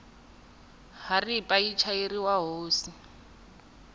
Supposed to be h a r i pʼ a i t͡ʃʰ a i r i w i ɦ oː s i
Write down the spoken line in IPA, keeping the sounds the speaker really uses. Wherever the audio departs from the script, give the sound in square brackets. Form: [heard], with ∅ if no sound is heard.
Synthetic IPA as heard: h a r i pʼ a i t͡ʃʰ a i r i w [a] ɦ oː s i